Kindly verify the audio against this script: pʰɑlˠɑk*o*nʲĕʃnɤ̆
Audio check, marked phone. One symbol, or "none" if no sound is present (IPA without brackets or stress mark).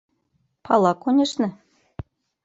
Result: o